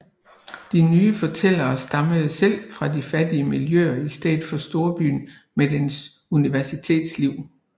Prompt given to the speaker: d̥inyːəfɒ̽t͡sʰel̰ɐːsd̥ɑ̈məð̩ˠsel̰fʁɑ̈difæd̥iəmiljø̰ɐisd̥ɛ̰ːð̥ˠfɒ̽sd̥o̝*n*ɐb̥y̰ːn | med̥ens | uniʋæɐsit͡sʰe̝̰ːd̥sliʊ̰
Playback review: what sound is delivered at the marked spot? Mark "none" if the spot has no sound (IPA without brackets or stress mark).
none